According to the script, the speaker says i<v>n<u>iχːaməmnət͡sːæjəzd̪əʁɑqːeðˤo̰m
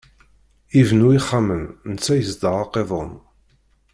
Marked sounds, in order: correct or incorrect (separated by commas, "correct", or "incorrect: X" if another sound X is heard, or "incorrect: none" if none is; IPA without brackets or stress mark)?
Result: correct, correct